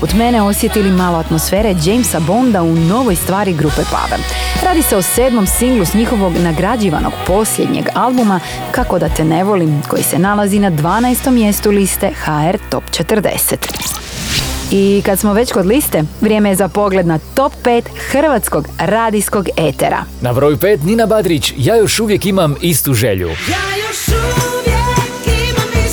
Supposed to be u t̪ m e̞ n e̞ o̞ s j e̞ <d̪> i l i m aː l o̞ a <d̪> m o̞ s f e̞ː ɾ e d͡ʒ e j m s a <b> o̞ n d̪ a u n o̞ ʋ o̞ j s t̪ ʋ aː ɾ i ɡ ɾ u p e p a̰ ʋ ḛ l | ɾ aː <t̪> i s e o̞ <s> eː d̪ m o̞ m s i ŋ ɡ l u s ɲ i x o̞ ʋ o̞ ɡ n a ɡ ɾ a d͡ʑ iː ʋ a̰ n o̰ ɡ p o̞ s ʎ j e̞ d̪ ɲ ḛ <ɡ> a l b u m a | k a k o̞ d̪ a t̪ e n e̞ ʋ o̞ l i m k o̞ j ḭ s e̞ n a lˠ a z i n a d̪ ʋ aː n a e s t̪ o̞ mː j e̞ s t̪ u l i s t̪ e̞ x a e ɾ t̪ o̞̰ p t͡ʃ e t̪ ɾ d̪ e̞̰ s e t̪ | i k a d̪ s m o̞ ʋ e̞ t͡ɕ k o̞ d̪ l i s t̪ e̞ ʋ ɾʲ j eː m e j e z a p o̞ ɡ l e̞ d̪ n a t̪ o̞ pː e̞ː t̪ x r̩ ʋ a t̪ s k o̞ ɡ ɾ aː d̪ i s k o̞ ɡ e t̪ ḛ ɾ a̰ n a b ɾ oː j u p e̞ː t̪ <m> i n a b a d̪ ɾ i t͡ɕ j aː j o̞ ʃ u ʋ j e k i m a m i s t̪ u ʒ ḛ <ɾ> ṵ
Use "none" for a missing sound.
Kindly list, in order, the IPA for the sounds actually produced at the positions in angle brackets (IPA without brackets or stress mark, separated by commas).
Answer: t̪, t̪, b, d̪, s, ɡ, n, ʎ